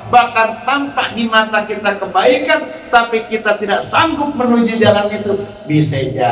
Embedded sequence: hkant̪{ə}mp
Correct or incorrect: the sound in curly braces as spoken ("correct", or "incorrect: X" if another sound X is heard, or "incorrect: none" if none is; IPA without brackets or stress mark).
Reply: incorrect: a